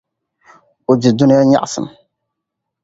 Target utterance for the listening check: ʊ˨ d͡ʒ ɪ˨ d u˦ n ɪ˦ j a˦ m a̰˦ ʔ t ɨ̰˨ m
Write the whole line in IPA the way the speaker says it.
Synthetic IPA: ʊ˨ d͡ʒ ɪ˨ d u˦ n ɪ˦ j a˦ ɲ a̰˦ ʔ s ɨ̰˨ m